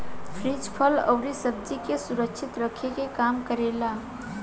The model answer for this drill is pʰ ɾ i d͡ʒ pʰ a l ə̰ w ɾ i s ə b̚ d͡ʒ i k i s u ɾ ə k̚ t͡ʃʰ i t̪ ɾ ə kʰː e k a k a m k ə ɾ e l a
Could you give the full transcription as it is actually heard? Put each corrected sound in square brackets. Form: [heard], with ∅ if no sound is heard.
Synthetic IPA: pʰ ɾ i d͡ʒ pʰ [ə] l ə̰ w ɾ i s ə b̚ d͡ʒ i k [e] s u ɾ ə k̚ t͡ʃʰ i t̪ ɾ ə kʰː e k [e] k a m k ə ɾ e l a